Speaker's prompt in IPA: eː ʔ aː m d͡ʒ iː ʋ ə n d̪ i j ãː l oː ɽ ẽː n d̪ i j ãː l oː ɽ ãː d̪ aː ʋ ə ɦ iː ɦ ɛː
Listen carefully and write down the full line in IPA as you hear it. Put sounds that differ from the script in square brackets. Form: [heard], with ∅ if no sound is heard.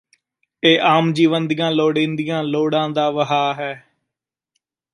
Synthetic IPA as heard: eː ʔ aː m d͡ʒ iː ʋ ə n d̪ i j ãː l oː ɽ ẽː n d̪ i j ãː l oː ɽ ãː d̪ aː ʋ ə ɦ [aː] ɦ ɛː